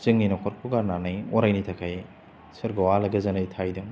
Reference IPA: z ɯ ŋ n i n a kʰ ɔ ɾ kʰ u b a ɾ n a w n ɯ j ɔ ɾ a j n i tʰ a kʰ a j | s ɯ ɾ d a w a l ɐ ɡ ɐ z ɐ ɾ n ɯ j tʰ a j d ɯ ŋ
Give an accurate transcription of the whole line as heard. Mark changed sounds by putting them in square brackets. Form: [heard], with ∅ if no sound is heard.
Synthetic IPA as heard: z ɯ ŋ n i n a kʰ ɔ ɾ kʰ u [ɡ] a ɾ n a [∅] n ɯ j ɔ ɾ a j n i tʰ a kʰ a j | s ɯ ɾ [ɡ] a w a l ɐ ɡ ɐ z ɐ [∅] n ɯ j tʰ a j d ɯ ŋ